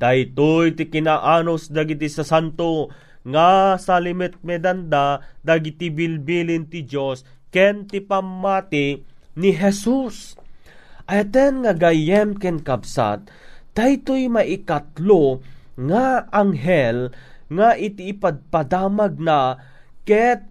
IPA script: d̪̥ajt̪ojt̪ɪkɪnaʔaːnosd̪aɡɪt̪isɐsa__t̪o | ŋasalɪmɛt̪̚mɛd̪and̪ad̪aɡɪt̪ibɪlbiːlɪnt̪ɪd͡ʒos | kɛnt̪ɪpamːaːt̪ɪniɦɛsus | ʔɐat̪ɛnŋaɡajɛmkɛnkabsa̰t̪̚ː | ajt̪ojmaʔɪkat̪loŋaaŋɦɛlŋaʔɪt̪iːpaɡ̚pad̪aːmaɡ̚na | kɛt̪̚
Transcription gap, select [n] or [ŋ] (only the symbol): n